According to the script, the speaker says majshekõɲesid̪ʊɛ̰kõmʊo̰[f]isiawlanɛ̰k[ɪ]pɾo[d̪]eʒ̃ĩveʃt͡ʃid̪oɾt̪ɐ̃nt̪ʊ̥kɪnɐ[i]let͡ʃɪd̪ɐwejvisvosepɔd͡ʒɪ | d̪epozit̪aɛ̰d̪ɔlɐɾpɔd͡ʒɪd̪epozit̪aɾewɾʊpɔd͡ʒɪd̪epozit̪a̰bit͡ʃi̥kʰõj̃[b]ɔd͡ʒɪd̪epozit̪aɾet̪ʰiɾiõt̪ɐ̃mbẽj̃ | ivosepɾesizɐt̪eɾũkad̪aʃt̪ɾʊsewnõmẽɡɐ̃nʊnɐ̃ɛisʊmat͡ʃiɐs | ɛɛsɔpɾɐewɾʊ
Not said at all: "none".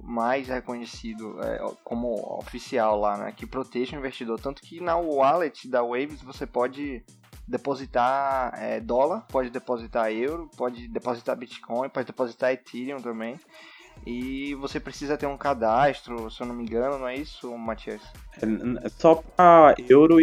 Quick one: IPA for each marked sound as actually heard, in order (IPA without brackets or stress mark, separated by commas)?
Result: f, ɪ, t̪, a, p